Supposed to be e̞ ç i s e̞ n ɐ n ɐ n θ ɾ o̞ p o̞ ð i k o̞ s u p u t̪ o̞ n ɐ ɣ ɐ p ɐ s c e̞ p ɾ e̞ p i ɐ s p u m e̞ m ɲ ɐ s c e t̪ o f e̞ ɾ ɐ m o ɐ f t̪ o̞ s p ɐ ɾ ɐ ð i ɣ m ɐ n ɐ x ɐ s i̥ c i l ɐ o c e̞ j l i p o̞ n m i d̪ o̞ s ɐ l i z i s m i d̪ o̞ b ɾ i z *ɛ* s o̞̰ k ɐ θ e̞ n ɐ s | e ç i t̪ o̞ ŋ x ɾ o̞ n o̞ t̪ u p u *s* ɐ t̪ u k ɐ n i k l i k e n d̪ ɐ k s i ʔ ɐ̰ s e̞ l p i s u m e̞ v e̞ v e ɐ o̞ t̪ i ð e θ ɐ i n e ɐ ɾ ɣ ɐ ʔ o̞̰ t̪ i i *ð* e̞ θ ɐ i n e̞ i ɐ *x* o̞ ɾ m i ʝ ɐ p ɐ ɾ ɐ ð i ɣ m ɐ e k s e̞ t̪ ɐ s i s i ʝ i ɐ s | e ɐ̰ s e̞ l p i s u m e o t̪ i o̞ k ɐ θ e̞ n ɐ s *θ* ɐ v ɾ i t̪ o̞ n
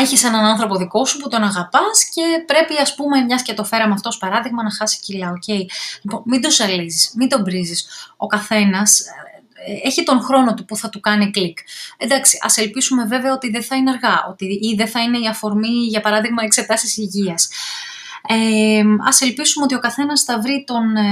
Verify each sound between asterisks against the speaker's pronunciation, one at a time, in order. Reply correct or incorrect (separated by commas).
incorrect, incorrect, correct, incorrect, correct